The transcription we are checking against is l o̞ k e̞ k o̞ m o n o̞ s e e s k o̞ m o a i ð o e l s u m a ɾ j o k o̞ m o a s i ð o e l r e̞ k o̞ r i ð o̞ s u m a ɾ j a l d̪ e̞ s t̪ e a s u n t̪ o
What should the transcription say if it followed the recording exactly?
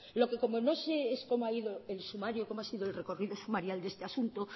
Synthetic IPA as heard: l o̞ k e̞ k o̞ m o n o̞ s e e s k o̞ m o a i ð o e l s u m a ɾ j o k o̞ m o a s i ð o e l r e̞ k o̞ r i ð o̞ s u m a ɾ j a l d̪ e̞ s t̪ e a s u n t̪ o